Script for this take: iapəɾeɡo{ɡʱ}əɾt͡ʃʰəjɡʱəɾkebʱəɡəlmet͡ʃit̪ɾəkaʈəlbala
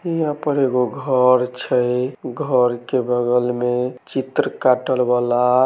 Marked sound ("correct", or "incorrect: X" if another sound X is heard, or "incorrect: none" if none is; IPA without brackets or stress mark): correct